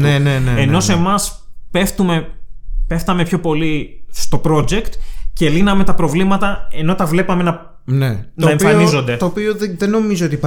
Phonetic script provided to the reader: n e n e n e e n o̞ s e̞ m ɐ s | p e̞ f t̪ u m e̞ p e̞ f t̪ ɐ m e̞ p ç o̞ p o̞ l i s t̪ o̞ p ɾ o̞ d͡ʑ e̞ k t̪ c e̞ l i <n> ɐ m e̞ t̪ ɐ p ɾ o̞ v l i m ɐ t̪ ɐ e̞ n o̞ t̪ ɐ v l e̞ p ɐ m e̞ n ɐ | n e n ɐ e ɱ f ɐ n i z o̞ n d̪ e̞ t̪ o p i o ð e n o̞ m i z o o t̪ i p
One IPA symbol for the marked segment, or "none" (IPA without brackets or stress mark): n